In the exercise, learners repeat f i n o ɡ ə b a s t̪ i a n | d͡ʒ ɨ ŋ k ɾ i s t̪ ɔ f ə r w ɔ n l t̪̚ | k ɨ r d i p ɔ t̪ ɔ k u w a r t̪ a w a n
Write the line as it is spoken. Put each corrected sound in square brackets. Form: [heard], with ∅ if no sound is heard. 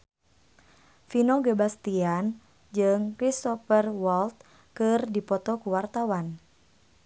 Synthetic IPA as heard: f i n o ɡ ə b a s t̪ i a n | d͡ʒ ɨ ŋ k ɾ i s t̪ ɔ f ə r w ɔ [∅] l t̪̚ | k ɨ r d i p ɔ t̪ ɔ k u w a r t̪ a w a n

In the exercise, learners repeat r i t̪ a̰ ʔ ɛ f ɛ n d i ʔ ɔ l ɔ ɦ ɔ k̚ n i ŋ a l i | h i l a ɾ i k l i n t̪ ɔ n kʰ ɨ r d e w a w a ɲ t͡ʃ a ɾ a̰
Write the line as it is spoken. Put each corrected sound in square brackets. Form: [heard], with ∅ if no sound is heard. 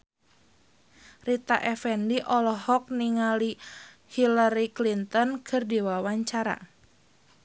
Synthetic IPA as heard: r i t̪ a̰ ʔ ɛ f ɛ n d i ʔ ɔ l ɔ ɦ ɔ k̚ n i ŋ a l i | h i l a ɾ i k l i n t̪ ɔ n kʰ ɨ r d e w a w a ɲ t͡ʃ a ɾ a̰

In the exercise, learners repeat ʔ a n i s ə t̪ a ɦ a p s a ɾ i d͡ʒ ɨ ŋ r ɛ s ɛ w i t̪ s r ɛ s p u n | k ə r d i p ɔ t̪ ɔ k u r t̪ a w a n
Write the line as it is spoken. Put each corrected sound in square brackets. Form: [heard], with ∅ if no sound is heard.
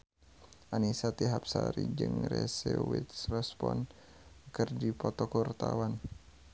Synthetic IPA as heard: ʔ a n i s [a] t̪ [i] ɦ a p s a ɾ i d͡ʒ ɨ ŋ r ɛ s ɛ w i t̪ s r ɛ s p [ɔ] n | k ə r d i p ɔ t̪ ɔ k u r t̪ a w a n

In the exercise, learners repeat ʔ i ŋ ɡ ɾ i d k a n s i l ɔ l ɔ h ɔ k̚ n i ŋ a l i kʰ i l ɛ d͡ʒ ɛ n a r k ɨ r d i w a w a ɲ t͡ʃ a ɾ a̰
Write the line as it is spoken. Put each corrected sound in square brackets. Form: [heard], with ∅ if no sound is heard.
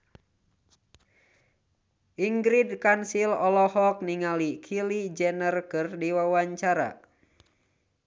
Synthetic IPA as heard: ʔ i ŋ ɡ ɾ i d k a n s i l ɔ l ɔ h ɔ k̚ n i ŋ a l i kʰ i l [i] d͡ʒ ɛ n [ə] r k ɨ r d i w a w a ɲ t͡ʃ a ɾ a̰

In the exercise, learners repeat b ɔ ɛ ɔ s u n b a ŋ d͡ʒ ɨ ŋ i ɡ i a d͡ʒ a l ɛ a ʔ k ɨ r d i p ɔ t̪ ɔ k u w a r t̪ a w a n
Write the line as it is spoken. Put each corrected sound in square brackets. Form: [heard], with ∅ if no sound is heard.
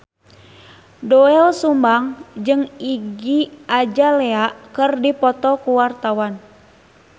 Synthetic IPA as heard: [d] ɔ ɛ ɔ s u [m] b a ŋ d͡ʒ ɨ ŋ i ɡ i a d͡ʒ a l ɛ a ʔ k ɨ r d i p ɔ t̪ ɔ k u w a r t̪ a w a n

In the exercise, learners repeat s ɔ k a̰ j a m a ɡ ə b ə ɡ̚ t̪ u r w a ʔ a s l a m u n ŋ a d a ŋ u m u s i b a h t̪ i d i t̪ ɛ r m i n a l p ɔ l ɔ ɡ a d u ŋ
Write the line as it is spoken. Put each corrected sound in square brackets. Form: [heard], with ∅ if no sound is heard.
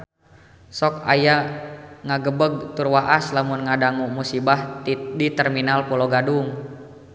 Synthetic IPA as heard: s ɔ k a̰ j a [ŋ] a ɡ ə b ə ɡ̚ t̪ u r w a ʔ a s l a m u n ŋ a d a ŋ u m u s i b a h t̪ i d i t̪ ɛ r m i n a l p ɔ l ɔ ɡ a d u ŋ

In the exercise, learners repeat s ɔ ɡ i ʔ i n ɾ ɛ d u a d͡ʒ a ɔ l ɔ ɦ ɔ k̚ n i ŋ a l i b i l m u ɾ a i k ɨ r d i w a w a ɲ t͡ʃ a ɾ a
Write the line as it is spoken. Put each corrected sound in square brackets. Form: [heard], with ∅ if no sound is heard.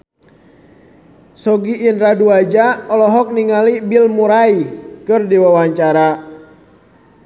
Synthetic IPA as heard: s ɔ ɡ i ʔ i n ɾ [a] d u a d͡ʒ a ɔ l ɔ ɦ ɔ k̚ n i ŋ a l i b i l m u ɾ a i k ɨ r d i w a w a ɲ t͡ʃ a ɾ a

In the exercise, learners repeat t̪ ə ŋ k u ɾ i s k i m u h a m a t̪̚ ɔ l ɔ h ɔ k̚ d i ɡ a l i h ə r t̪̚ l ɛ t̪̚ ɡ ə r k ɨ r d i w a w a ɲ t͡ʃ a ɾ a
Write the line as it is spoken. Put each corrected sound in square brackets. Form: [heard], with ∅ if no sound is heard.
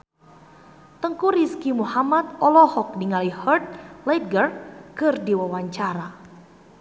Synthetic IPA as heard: t̪ ə ŋ k u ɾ i s k i m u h a m a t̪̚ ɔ l ɔ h ɔ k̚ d i [ŋ] a l i h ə r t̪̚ l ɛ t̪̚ ɡ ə r k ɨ r d i w a w a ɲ t͡ʃ a ɾ a

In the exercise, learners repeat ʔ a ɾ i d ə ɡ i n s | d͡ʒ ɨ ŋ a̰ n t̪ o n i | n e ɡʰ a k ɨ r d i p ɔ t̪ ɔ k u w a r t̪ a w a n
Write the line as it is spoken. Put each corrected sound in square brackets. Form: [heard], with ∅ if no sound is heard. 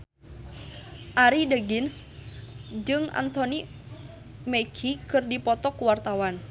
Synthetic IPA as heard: ʔ a ɾ i d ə ɡ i n s | d͡ʒ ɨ ŋ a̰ n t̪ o n i | [m] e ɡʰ [i] k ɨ r d i p ɔ t̪ ɔ k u w a r t̪ a w a n

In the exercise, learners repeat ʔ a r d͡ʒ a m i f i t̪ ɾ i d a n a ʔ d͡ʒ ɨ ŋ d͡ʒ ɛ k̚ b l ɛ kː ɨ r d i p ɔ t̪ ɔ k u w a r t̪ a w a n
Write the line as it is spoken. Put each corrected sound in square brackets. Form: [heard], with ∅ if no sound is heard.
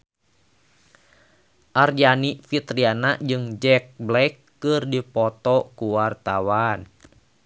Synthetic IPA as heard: ʔ a r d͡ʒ a [n] i f i t̪ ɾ i [∅] a n a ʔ d͡ʒ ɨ ŋ d͡ʒ ɛ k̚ b l ɛ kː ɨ r d i p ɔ t̪ ɔ k u w a r t̪ a w a n

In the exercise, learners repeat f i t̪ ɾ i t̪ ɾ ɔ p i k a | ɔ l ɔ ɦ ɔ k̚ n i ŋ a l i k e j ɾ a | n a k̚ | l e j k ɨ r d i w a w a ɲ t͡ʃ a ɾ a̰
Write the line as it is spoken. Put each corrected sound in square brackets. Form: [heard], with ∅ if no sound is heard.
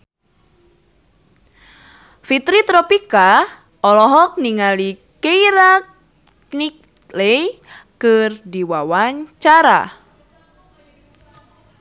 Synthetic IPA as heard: f i t̪ ɾ i t̪ ɾ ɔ p i k a | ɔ l ɔ ɦ ɔ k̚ n i ŋ a l i k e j ɾ a | n [i] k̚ | l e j k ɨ r d i w a w a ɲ t͡ʃ a ɾ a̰

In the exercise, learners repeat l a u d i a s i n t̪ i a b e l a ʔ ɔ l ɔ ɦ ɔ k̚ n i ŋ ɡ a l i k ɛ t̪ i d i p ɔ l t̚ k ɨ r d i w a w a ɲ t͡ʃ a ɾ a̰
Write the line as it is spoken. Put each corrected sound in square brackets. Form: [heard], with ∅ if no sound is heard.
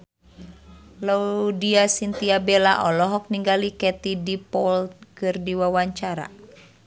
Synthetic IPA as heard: l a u d i a s i n t̪ i a b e l a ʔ ɔ l ɔ ɦ ɔ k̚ n i ŋ ɡ a l i k ɛ t̪ i d i p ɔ l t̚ k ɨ r d i w a w a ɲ t͡ʃ a ɾ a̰

